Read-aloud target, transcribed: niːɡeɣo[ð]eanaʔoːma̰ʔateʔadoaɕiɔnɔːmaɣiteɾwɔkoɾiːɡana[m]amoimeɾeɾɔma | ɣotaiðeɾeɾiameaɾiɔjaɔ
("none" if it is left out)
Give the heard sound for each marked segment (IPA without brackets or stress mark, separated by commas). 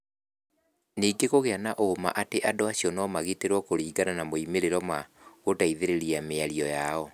ɣ, n